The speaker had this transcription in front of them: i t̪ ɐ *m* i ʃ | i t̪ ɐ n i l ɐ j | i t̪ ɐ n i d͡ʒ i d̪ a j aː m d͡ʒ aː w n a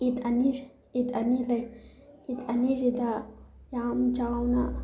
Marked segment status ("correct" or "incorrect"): incorrect